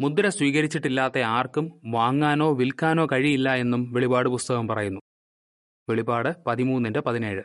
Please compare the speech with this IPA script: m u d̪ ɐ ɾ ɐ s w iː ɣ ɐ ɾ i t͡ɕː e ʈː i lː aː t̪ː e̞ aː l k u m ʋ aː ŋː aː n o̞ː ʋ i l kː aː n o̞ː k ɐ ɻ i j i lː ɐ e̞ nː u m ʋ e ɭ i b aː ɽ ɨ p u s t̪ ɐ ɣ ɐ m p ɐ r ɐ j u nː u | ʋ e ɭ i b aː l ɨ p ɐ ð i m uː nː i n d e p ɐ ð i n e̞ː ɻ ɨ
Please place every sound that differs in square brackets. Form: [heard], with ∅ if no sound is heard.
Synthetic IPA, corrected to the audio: m u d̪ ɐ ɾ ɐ s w iː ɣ ɐ ɾ i t͡ɕː [i] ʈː i lː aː t̪ː e̞ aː [r] k u m ʋ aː ŋː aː n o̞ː ʋ i l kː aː n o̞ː k ɐ ɻ i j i lː ɐ e̞ nː u m ʋ e ɭ i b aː ɽ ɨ p u s t̪ ɐ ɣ ɐ m p ɐ r ɐ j u nː u | ʋ e ɭ i b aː [ɽ] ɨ p ɐ ð i m uː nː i n d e p ɐ ð i n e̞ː ɻ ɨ